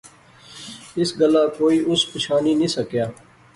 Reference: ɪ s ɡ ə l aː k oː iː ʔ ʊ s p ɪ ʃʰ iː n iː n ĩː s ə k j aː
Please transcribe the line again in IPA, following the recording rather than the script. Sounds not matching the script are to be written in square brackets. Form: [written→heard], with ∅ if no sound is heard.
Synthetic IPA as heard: ɪ s ɡ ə l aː k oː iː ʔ ʊ s p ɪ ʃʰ [iː→aː] n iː n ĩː s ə k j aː